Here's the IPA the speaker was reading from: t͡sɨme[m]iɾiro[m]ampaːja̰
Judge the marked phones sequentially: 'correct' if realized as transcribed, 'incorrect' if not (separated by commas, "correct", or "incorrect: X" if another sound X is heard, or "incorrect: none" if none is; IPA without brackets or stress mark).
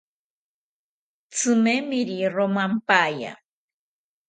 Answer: correct, correct